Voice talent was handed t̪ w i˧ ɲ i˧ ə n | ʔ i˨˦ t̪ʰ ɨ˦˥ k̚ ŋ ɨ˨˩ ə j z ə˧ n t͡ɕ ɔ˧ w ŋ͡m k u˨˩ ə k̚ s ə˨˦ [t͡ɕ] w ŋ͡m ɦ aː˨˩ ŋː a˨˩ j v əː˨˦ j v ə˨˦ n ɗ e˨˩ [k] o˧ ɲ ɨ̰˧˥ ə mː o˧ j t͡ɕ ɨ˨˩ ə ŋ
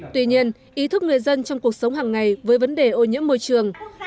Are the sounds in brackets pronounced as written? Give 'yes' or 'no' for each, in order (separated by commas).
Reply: no, no